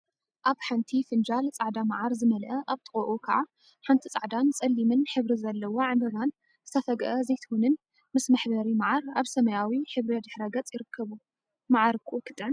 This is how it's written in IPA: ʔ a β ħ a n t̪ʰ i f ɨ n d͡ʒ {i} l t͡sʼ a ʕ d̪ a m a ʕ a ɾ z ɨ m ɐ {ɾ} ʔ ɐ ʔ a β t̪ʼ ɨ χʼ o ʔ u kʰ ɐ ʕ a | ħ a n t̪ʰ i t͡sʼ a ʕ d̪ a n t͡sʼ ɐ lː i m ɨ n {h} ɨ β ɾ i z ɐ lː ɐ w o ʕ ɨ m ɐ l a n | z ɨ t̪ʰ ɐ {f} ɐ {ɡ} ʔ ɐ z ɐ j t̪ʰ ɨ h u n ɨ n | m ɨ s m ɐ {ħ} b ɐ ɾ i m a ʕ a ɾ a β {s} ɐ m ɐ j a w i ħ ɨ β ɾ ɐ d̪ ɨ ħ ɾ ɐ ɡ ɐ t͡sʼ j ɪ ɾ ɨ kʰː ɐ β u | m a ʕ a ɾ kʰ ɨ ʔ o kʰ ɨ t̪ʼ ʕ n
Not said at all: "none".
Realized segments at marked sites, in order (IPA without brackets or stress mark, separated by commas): a, l, ħ, f, ɡ, ħ, s